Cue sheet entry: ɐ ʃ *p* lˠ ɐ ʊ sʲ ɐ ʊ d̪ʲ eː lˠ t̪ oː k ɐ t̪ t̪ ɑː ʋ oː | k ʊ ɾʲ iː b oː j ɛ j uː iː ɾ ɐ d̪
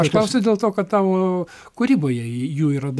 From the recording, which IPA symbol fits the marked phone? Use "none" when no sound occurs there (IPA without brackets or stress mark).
k